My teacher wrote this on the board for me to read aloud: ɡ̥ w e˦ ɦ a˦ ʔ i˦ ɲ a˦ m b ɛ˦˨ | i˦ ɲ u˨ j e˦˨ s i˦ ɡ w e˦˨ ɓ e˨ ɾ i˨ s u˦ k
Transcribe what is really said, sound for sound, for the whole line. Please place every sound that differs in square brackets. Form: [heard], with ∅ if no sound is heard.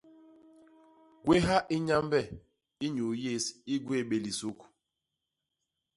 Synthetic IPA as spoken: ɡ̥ w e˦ ɦ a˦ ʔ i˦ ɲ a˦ m b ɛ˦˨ | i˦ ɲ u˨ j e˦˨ s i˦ ɡ w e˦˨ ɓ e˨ [l] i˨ s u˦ k